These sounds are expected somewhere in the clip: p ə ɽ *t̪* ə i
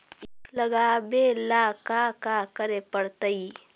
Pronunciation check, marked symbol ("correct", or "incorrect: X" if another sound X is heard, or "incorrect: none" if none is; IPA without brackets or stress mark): correct